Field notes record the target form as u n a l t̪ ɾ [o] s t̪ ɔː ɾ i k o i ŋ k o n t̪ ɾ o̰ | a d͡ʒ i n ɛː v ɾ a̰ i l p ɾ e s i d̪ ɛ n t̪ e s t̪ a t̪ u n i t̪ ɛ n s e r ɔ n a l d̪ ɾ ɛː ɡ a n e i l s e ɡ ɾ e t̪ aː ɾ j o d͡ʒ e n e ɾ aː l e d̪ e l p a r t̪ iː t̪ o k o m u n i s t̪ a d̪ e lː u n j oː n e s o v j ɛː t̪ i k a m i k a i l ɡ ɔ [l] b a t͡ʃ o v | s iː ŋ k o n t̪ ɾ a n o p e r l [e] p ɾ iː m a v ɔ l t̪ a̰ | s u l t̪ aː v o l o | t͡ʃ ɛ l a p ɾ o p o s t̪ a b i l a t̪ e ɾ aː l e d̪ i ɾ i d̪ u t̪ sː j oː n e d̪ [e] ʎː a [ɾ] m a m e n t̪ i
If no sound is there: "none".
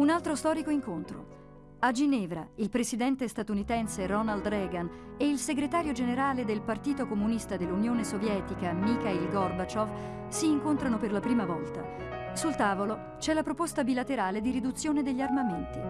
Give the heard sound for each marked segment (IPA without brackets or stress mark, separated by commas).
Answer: o, r, a, e, r